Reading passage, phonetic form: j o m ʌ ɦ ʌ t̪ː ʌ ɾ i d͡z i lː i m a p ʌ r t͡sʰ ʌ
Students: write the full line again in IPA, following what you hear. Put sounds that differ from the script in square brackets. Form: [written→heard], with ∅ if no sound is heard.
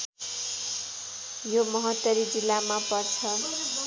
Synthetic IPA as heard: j o m ʌ ɦ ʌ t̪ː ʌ ɾ i d͡z i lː [i→a] m a p ʌ r t͡sʰ ʌ